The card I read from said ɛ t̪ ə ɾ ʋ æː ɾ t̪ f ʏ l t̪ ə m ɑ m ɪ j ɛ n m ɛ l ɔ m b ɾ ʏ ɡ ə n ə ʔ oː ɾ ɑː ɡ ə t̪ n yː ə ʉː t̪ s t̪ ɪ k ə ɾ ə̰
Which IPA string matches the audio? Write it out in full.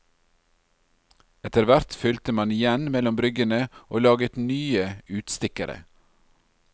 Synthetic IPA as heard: ɛ t̪ ə ɾ ʋ æ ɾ t̪ f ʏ l t̪ ə m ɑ n ɪ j ɛ n m ɛ l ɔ m b ɾ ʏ ɡ ə n ə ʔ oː l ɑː ɡ ə t̪ n yː ə ʉː t̪ s t̪ ɪ k ə ɾ ə̰